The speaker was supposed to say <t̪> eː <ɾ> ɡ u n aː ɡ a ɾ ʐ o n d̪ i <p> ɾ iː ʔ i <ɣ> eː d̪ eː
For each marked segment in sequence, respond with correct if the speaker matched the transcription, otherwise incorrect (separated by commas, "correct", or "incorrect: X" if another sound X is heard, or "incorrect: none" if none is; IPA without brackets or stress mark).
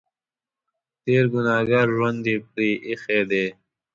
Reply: correct, correct, correct, incorrect: x